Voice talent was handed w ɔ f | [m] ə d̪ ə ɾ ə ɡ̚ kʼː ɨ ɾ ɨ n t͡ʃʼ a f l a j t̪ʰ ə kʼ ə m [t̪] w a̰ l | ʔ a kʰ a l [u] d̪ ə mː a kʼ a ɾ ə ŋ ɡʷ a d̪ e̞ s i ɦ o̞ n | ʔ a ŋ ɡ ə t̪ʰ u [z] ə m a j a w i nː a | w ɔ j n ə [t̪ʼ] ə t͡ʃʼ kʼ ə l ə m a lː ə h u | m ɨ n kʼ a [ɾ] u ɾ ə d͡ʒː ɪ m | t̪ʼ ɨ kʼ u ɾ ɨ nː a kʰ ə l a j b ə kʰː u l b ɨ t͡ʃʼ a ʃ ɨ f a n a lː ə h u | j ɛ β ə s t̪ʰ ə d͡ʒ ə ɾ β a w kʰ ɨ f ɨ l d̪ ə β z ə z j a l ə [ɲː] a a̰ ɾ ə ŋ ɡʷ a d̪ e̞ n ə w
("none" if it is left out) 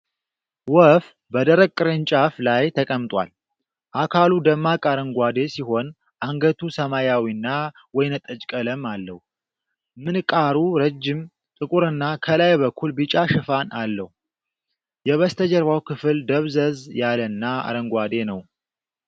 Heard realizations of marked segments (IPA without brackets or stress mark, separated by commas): b, t̪ʼ, u, s, t̪ʼ, ɾ, nː